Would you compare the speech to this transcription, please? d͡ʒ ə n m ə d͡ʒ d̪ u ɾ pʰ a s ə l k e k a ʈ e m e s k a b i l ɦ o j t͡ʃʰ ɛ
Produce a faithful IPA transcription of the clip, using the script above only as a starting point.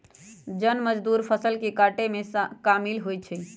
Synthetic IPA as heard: d͡ʒ ə n m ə d͡ʒ d̪ u ɾ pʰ ə s ə l k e k a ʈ e m e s k a m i l ɦ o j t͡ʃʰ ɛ